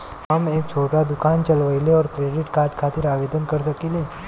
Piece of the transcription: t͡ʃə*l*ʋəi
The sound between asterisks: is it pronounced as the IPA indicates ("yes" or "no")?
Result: yes